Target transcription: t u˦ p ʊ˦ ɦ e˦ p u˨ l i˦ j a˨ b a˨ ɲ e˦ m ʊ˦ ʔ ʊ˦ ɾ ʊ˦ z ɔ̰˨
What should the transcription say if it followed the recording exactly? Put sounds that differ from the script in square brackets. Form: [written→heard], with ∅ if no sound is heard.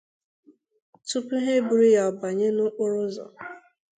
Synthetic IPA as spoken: t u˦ p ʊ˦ ɦ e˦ [p→b] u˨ [l→ɾ] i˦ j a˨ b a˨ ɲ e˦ [m→n] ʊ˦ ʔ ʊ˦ ɾ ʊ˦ z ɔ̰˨